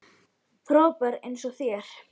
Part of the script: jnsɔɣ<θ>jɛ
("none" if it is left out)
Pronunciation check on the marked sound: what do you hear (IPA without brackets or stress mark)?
θ